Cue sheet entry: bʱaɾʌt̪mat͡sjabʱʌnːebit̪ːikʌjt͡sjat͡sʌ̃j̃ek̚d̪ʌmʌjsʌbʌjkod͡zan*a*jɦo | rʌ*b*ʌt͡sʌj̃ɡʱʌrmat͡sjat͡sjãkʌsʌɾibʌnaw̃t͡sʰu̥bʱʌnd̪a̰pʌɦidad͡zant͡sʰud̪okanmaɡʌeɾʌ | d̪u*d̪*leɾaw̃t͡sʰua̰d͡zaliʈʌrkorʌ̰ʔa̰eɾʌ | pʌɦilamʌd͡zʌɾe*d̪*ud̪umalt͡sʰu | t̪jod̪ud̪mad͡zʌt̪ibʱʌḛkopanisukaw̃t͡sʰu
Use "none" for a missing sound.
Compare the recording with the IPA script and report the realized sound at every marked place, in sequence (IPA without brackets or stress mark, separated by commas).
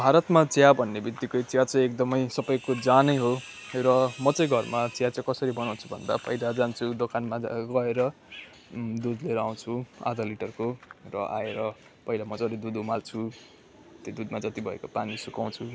ʌ, m, d̪, d̪